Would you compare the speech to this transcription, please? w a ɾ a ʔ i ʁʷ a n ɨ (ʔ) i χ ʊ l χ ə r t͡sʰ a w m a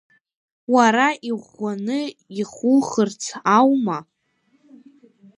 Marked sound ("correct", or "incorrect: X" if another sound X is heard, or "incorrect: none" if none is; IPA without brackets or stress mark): incorrect: none